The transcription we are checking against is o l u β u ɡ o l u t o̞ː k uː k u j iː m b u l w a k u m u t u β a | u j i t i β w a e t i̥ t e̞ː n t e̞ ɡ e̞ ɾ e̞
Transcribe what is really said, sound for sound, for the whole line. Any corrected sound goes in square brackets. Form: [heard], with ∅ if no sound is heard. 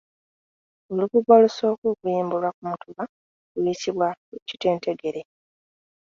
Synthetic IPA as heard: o l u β u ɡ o l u [s] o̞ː k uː k u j iː m b u l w a k u m u t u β a | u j i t i β w a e [c] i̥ t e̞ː n t e̞ ɡ e̞ ɾ e̞